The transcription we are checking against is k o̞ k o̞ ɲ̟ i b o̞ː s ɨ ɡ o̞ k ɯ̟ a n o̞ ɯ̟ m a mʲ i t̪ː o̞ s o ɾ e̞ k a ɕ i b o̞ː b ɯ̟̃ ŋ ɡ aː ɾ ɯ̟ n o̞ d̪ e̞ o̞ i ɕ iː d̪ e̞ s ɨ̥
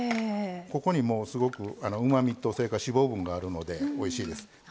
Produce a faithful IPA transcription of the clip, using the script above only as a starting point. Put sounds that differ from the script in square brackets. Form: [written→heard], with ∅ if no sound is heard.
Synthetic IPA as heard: k o̞ k o̞ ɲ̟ i [b→m] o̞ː s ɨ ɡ o̞ k ɯ̟ a n o̞ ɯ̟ m a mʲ i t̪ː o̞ s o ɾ e̞ k a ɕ i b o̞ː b ɯ̟̃ ŋ ɡ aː ɾ ɯ̟ n o̞ d̪ e̞ o̞ i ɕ iː d̪ e̞ s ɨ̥